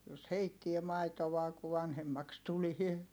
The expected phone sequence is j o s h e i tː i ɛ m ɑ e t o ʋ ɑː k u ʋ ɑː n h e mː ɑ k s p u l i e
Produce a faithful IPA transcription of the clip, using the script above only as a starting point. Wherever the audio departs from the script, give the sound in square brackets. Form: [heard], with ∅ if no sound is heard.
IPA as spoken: j o s h e i tː i [e] m ɑ [i] t o ʋ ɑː k u ʋ [ɑ] n h e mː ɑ k s [t] u l i e